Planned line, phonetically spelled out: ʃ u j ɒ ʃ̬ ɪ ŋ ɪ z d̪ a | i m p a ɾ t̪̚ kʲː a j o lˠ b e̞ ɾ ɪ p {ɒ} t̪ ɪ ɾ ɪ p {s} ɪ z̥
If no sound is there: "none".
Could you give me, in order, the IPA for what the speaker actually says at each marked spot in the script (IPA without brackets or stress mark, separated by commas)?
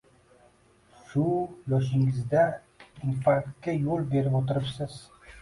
o, s